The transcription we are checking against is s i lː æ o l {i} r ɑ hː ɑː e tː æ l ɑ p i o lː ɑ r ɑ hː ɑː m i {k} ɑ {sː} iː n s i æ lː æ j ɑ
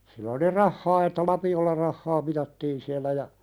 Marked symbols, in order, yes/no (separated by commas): yes, no, no